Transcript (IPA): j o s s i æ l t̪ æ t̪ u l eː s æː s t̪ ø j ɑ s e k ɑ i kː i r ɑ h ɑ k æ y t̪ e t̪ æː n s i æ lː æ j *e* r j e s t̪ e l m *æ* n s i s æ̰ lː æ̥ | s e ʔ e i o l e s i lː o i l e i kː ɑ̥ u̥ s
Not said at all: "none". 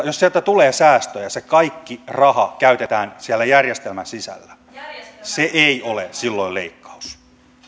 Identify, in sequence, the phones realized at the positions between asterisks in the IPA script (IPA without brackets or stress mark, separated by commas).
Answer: æ, æ